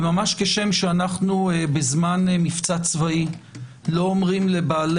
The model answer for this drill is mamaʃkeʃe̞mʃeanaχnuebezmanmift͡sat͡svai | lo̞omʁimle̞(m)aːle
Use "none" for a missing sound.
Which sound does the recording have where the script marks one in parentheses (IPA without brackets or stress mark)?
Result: b